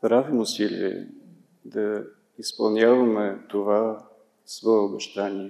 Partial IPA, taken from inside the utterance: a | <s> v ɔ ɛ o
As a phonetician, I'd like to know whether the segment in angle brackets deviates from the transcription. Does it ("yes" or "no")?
no